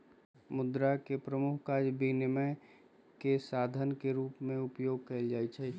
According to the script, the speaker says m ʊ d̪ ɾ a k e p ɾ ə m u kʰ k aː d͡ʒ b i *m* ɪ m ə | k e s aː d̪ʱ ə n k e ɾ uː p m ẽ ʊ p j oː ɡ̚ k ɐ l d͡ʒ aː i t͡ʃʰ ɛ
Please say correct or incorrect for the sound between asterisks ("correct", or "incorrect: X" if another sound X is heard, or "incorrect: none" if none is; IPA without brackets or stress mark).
incorrect: n